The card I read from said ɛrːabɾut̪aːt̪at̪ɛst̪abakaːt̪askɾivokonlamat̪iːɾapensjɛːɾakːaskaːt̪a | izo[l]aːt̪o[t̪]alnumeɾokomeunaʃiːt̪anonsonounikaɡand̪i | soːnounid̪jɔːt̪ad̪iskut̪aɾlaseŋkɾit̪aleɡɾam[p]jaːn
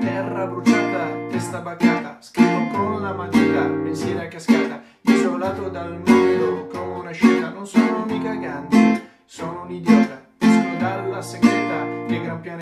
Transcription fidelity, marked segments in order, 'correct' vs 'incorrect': correct, incorrect: d̪, correct

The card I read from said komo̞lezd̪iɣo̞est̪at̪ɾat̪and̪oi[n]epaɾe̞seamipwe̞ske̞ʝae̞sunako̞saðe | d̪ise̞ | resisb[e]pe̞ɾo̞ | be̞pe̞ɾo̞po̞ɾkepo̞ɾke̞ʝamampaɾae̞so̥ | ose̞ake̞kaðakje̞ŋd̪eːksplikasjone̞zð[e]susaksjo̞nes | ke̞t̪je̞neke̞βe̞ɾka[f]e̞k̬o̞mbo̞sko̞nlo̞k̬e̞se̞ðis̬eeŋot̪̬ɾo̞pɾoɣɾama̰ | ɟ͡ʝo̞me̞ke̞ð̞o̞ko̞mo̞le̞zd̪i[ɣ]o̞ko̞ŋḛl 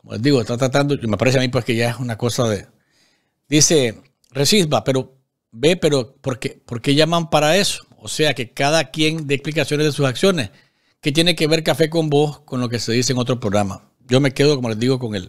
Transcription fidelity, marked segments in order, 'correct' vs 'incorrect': incorrect: m, incorrect: a, correct, correct, correct

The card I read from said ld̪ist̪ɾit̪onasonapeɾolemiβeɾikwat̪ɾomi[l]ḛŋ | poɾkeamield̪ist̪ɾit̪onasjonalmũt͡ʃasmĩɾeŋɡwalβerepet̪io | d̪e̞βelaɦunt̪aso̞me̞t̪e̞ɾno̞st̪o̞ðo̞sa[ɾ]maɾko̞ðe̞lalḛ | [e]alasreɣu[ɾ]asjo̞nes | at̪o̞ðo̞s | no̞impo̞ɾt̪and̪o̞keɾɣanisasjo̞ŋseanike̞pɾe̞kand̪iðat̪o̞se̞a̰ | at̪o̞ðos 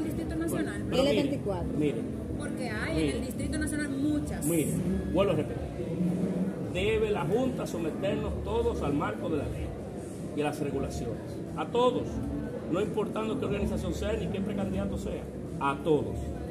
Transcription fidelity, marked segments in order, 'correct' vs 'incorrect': incorrect: ɾ, incorrect: l, incorrect: i, incorrect: l

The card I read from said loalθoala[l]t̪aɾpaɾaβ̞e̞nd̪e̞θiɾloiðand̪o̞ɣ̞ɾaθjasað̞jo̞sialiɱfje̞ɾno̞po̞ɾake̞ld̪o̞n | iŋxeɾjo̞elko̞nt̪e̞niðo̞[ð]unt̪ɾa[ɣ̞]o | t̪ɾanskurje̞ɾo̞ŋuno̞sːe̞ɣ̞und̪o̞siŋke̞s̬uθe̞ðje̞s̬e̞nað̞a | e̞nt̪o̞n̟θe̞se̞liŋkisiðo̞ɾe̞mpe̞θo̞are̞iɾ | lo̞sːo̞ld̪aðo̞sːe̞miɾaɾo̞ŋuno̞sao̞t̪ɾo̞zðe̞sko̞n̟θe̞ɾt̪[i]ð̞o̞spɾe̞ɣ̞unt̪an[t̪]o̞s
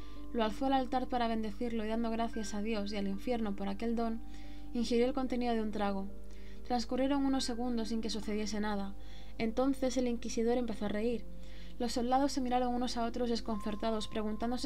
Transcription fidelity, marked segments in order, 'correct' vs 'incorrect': correct, correct, correct, incorrect: a, incorrect: d̪

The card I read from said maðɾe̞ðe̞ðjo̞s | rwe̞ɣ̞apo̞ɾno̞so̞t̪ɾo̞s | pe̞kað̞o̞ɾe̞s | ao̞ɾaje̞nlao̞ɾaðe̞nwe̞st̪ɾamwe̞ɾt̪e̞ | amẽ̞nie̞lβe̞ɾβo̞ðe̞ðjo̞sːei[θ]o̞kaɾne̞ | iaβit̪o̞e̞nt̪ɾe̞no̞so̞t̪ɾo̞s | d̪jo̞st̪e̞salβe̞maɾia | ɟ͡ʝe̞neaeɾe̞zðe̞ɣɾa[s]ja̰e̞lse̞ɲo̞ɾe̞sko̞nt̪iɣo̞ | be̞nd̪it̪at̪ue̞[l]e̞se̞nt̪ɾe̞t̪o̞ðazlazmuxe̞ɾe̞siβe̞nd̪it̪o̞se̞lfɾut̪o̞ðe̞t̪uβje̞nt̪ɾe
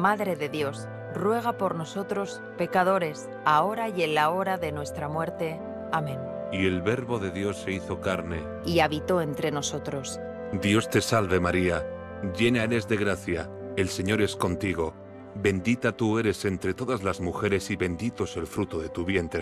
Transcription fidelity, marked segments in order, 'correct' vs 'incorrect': correct, incorrect: θ, incorrect: ɾ

